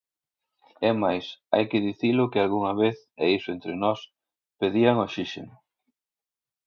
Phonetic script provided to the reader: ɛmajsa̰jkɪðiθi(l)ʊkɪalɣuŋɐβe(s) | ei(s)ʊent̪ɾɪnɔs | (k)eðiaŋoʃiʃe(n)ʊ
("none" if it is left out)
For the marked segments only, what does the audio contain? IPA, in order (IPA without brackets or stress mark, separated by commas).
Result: l, θ, s, p, n